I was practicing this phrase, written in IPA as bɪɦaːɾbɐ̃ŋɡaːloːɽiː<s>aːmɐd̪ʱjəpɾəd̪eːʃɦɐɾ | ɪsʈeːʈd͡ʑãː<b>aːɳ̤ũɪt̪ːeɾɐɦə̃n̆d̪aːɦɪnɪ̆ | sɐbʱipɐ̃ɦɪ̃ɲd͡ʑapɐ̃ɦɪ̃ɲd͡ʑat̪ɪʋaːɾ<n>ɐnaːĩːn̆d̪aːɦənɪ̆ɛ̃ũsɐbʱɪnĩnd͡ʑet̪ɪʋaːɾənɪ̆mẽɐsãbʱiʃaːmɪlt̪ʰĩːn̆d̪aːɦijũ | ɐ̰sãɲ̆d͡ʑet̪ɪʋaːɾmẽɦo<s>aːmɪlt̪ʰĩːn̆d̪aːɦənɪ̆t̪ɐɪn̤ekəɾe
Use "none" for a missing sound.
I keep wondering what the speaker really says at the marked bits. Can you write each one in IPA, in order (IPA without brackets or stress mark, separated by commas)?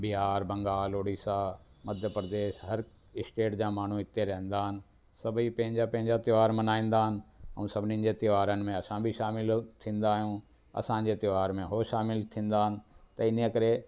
s, m, m, ʃ